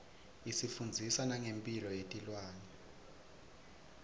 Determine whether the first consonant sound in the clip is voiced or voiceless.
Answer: voiceless